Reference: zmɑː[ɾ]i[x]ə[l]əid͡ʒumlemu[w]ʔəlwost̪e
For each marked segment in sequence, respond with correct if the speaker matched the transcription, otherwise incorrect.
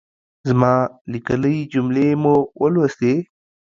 incorrect, incorrect, correct, correct

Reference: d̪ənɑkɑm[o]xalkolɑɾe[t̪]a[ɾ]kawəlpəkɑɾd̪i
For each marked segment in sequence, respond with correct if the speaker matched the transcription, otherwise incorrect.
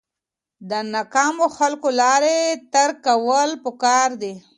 correct, correct, correct

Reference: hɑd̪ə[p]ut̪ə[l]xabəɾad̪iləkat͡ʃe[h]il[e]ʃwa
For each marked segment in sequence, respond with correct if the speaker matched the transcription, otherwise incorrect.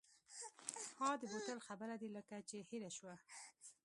incorrect, correct, correct, incorrect

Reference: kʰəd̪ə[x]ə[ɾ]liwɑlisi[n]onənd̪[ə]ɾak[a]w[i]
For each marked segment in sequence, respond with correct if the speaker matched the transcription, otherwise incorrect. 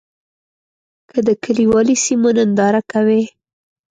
incorrect, incorrect, incorrect, incorrect, correct, incorrect

